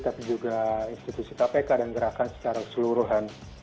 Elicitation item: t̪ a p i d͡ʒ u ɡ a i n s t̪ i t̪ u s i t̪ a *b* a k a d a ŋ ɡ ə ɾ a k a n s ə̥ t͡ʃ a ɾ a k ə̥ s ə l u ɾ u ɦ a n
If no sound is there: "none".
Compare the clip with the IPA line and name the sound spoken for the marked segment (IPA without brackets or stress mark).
p